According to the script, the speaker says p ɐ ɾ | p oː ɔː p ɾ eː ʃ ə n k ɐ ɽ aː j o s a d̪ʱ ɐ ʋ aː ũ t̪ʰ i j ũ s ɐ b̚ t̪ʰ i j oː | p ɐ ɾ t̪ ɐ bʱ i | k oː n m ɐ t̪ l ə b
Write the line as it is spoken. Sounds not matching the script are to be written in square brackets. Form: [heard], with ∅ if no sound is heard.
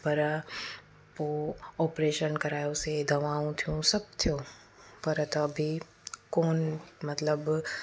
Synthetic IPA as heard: p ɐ ɾ | p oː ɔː p ɾ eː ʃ ə n k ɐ [ɾ] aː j o s [e] d̪ʱ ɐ ʋ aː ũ t̪ʰ i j ũ s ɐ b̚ t̪ʰ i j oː | p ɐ ɾ t̪ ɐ bʱ i | k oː n m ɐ t̪ l ə b